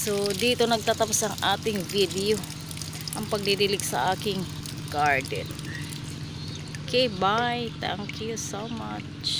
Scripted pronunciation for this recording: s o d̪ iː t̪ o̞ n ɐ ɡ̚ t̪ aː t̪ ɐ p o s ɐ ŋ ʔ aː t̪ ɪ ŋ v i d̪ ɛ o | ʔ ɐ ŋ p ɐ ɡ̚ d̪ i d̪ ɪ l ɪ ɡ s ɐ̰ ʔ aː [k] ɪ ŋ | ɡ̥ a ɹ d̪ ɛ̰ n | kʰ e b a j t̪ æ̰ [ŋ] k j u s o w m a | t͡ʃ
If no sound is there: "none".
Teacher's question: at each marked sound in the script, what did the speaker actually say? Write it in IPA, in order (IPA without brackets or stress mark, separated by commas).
k, ŋ